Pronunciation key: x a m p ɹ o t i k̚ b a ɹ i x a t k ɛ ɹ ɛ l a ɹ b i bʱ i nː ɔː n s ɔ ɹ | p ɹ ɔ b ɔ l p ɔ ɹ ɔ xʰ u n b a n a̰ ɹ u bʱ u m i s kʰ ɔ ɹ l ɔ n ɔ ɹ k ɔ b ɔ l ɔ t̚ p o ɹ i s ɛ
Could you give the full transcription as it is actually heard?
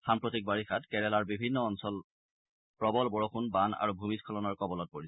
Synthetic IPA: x a m p ɹ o t i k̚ b a ɹ i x a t k ɛ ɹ ɛ l a ɹ b i bʱ i nː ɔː n s ɔ l | p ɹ ɔ b ɔ l b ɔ ɹ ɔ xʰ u n b a n a̰ ɹ u bʱ u m i s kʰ ɔ l ɔ n ɔ ɹ k ɔ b ɔ l ɔ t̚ p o ɹ i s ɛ